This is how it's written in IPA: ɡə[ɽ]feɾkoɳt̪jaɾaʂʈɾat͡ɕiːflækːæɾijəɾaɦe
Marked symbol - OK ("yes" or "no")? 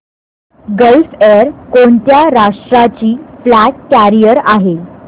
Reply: no